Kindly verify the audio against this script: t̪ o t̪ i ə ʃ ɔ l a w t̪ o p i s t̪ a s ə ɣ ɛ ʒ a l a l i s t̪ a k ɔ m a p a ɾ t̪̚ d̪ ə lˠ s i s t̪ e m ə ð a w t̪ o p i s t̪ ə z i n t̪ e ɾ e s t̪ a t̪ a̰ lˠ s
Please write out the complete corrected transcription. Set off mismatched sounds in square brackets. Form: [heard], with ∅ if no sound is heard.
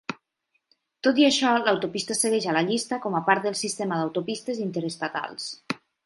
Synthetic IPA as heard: t̪ o t̪ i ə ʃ ɔ l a w t̪ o p i s t̪ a s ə ɣ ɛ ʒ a l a [ʎ] i s t̪ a k ɔ m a p a ɾ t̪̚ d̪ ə lˠ s i s t̪ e m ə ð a w t̪ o p i s t̪ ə z i n t̪ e ɾ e s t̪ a t̪ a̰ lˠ s